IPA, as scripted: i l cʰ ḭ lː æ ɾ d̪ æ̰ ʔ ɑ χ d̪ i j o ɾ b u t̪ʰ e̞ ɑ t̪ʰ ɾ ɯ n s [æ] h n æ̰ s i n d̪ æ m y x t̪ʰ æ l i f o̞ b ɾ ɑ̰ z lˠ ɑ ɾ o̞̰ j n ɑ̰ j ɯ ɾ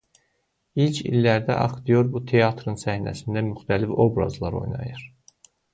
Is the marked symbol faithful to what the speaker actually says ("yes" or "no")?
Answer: yes